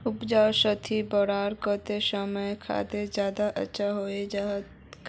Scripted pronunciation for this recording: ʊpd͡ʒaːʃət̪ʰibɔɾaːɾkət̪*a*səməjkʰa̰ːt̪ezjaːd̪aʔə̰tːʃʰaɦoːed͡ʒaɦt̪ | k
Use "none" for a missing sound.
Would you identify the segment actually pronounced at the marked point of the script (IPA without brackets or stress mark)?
e